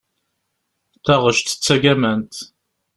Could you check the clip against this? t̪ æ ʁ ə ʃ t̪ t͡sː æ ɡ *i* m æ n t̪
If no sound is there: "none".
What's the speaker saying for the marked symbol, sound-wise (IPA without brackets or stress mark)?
æ